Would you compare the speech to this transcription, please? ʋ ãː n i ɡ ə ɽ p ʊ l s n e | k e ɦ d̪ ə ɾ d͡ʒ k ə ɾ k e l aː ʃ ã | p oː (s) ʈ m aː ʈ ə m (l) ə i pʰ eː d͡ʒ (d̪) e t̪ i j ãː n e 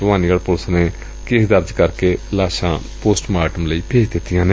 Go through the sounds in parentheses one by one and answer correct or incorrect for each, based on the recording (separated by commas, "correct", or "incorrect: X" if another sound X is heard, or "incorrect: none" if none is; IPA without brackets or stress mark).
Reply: correct, correct, correct